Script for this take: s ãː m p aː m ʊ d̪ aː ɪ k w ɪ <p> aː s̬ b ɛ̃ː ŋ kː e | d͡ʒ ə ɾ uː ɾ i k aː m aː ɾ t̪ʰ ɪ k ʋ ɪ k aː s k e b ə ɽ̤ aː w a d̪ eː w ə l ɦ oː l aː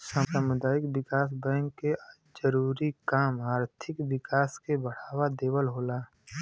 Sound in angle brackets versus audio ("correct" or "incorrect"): incorrect